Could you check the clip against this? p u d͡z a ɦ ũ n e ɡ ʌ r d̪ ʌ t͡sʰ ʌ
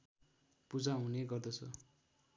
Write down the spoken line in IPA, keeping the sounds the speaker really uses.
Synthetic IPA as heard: p u d͡z a ɦ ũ n e ɡ ʌ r d̪ ʌ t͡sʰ ʌ